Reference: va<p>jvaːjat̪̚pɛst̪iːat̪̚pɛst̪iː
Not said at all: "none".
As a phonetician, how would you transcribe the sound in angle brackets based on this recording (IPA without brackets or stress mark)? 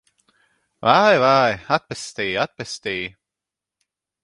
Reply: none